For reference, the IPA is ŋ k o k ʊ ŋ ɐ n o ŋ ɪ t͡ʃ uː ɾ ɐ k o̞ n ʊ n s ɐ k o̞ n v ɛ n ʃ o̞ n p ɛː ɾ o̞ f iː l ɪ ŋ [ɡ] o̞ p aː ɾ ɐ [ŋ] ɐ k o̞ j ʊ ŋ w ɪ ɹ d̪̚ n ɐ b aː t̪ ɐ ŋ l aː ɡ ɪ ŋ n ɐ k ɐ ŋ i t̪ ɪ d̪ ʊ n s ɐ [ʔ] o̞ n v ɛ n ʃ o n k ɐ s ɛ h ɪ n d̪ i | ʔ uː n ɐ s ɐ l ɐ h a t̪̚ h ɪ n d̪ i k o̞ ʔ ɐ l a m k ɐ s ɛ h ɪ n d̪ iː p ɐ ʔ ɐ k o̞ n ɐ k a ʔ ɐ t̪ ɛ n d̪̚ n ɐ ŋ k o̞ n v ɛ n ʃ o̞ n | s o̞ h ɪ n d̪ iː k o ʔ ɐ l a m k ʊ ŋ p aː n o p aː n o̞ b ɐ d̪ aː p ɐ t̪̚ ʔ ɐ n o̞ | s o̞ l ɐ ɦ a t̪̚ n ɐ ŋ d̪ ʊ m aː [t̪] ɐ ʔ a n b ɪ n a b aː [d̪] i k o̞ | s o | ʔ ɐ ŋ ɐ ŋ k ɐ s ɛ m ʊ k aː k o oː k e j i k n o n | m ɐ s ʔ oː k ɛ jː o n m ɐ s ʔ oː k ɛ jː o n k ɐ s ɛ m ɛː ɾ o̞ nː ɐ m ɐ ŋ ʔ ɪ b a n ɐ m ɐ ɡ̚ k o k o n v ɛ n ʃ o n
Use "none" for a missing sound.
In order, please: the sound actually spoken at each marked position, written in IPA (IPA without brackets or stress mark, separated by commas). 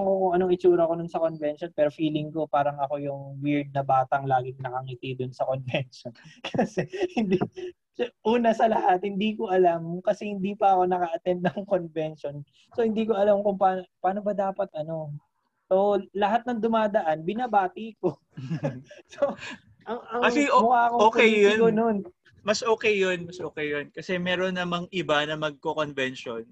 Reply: k, ŋ, k, d̪, t̪